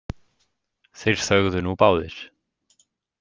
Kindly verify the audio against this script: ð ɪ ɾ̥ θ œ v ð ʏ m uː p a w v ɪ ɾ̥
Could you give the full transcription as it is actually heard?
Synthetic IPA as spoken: θ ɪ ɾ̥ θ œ ɣ ð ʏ n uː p a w ð ɪ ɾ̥